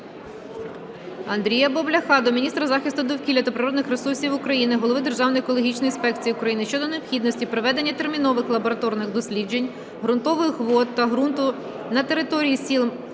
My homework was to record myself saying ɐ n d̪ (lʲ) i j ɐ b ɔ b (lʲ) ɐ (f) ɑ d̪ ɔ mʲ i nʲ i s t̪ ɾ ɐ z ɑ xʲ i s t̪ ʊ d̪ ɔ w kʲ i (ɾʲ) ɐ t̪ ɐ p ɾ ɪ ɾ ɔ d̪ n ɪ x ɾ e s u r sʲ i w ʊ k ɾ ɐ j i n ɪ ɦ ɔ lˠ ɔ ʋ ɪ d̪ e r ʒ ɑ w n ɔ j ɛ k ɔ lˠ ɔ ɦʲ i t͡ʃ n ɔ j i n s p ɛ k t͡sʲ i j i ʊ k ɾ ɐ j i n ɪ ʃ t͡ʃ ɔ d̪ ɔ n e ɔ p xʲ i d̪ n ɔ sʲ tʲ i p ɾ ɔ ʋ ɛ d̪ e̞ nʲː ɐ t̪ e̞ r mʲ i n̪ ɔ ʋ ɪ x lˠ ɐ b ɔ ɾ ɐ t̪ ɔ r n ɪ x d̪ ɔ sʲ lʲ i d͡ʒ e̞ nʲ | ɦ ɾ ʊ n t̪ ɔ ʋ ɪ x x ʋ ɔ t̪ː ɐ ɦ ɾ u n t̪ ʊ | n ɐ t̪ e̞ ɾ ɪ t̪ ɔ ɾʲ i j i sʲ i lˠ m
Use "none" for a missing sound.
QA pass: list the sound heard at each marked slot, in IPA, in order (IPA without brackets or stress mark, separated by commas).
ɾʲ, lʲ, x, lʲ